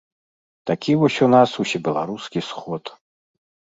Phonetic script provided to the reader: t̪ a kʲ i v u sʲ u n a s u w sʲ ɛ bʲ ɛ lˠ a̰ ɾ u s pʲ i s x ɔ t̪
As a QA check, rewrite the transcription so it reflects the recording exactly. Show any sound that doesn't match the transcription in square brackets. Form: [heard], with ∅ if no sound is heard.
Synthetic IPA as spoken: t̪ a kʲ i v [ɔ] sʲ u n a s u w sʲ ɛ bʲ ɛ lˠ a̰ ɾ u s [kʲ] i s x ɔ t̪